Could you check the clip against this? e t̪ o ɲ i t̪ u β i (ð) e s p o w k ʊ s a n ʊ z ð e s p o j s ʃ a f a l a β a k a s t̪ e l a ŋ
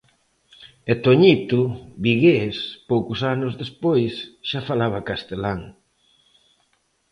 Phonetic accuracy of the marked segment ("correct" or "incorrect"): incorrect